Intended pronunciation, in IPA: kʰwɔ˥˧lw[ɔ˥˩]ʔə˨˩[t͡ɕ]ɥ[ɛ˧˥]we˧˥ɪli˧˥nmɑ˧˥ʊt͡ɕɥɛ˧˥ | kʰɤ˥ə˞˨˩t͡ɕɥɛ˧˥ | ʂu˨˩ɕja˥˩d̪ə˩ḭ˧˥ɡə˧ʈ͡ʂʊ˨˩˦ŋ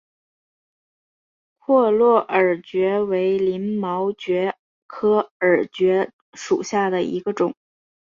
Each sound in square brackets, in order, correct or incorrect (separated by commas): correct, correct, correct